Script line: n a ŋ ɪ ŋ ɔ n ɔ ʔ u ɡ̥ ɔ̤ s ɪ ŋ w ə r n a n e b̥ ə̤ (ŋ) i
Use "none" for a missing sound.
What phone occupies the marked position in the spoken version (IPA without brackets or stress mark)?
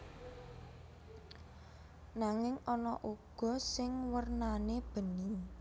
n